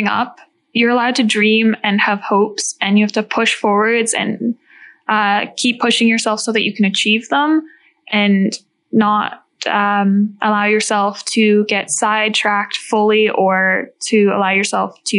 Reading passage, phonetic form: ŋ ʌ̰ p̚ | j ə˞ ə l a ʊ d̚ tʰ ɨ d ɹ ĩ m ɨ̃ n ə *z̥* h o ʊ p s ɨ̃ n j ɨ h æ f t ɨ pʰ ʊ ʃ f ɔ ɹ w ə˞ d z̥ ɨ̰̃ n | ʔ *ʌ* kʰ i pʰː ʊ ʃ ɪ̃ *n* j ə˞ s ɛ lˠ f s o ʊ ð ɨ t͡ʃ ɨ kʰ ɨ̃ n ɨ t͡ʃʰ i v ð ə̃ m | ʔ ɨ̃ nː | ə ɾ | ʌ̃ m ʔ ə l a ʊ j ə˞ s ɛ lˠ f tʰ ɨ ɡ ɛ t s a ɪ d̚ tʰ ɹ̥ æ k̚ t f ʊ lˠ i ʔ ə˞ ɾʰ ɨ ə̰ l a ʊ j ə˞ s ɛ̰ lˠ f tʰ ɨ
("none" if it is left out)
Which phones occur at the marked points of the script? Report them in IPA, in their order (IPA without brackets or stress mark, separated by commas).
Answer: v̥, ʌ, ŋ